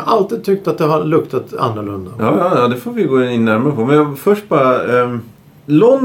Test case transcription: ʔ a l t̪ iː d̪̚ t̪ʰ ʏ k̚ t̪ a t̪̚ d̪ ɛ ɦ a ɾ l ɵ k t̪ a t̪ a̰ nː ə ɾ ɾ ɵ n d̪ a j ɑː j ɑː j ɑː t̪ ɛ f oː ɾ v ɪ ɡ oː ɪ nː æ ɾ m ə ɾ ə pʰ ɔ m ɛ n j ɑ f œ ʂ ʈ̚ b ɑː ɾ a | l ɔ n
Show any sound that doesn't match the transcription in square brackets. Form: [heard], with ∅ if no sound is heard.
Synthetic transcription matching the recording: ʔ a l t̪ iː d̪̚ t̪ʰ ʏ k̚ t̪ a t̪̚ d̪ ɛ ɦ a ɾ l ɵ k t̪ a t̪ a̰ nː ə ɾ [ɭ] ɵ n d̪ a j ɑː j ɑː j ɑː [d̪] ɛ f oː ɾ v ɪ ɡ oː ɪ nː æ ɾ m [a] ɾ ə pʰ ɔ m ɛ n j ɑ f œ ʂ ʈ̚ b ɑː ɾ a | l ɔ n